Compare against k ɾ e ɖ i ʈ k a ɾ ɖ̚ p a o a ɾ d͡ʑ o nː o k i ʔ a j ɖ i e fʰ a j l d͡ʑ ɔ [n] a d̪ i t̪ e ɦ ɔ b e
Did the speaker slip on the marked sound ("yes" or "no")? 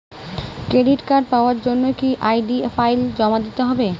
yes